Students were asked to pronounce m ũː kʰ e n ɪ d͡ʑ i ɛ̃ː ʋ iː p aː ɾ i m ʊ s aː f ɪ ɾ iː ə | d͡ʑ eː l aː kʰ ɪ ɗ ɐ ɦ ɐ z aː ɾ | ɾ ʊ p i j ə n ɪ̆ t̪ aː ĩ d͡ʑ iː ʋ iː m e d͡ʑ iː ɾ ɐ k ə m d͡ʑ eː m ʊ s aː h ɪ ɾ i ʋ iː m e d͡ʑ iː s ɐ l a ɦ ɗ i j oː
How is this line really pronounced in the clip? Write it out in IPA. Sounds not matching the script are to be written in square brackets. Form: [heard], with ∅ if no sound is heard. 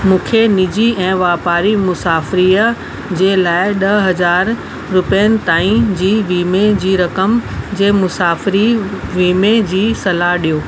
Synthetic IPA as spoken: m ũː kʰ e n ɪ d͡ʑ i ɛ̃ː ʋ [aː] p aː ɾ i m ʊ s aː f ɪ ɾ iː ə | d͡ʑ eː l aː [∅] ɪ ɗ ɐ ɦ ɐ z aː ɾ | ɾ ʊ p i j ə n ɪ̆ t̪ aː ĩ d͡ʑ iː ʋ iː m e d͡ʑ iː ɾ ɐ k ə m d͡ʑ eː m ʊ s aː [f] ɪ ɾ i ʋ iː m e d͡ʑ iː s ɐ l a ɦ ɗ i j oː